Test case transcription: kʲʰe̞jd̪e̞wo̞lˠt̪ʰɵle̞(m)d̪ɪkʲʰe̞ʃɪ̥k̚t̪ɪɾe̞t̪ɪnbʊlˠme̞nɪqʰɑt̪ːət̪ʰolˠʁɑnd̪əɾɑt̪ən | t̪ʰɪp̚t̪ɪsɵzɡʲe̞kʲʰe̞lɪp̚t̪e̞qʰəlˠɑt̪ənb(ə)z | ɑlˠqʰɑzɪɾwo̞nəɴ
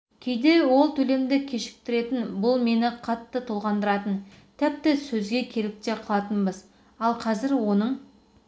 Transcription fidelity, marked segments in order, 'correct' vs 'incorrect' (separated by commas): correct, correct